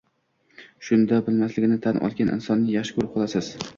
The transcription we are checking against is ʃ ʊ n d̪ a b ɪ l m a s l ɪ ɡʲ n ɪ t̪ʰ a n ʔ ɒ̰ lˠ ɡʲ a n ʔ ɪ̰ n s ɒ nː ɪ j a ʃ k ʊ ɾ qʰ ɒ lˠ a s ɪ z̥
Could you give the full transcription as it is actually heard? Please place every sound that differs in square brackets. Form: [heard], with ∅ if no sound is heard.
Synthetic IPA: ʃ ʊ n d̪ a b ɪ l m a s l ɪ ɡʲ n ɪ t̪ʰ a n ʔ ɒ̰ lˠ ɡʲ a n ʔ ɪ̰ n s ɒ nː ɪ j a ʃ k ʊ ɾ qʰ ɒ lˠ a s ɪ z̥